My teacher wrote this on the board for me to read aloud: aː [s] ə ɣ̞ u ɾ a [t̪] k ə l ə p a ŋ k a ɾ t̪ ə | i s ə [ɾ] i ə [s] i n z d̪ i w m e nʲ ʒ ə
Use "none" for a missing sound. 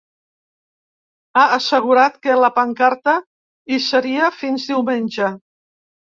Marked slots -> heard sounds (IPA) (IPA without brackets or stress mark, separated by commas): s, t̪, ɾ, f